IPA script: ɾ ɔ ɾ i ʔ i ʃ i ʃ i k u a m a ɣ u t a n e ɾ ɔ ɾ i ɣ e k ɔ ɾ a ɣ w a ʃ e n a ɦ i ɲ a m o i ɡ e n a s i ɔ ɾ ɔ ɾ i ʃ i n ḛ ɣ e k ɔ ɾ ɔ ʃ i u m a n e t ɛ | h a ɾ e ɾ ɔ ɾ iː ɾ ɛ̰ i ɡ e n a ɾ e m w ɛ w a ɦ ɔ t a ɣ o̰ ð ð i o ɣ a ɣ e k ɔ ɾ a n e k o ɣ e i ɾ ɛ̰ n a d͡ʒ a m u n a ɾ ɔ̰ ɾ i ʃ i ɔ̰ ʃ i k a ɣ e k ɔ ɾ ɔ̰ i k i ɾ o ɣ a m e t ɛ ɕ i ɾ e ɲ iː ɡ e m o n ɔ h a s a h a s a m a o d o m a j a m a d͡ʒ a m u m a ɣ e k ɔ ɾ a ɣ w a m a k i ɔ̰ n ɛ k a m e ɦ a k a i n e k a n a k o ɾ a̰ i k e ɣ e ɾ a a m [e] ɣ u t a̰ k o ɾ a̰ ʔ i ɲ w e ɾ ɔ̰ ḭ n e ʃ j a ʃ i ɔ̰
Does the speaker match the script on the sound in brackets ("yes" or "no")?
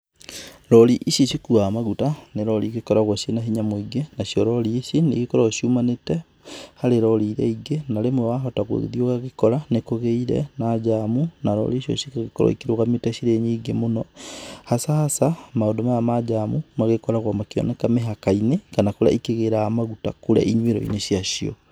no